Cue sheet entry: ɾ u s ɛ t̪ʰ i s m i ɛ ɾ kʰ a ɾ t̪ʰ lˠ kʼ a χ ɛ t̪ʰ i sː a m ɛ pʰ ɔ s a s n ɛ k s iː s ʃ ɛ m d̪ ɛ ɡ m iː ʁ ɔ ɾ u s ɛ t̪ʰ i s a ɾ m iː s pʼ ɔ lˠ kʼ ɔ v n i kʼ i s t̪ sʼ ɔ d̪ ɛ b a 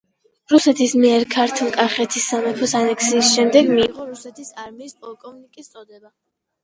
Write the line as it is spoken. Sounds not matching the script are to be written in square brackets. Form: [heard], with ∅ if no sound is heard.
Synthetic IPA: ɾ u s ɛ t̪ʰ i s m i ɛ ɾ kʰ a ɾ t̪ʰ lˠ kʼ a χ ɛ t̪ʰ i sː a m ɛ pʰ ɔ s a [∅] n ɛ k s iː s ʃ ɛ m d̪ ɛ ɡ m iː ʁ ɔ ɾ u s ɛ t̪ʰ i s a ɾ m iː s pʼ ɔ lˠ kʼ ɔ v n i kʼ i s t̪ sʼ ɔ d̪ ɛ b a